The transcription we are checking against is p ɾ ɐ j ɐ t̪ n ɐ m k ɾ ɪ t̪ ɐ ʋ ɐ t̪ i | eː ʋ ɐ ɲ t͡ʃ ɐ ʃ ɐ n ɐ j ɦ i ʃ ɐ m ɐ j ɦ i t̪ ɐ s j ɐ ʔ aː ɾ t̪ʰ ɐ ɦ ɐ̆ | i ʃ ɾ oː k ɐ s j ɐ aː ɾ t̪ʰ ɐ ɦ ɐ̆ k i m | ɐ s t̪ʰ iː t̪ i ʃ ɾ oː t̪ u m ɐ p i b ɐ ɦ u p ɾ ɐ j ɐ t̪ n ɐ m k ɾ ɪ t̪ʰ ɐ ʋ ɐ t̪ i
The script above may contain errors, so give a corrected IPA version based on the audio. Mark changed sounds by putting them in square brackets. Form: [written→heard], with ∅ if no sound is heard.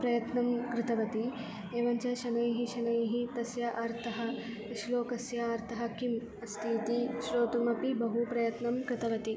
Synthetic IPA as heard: p ɾ ɐ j ɐ t̪ n ɐ m k ɾ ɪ t̪ ɐ ʋ ɐ t̪ i | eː ʋ ɐ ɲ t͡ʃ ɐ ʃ ɐ n ɐ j ɦ i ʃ ɐ [m→n] ɐ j ɦ i t̪ ɐ s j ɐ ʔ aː ɾ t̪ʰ ɐ ɦ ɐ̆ | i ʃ [ɾ→l] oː k ɐ s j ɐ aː ɾ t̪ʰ ɐ ɦ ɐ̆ k i m | ɐ s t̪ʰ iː t̪ i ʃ ɾ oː t̪ u m ɐ p i b ɐ ɦ u p ɾ ɐ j ɐ t̪ n ɐ m k ɾ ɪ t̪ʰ ɐ ʋ ɐ t̪ i